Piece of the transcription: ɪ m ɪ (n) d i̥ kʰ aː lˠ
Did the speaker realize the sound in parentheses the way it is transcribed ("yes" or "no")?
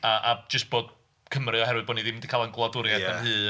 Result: yes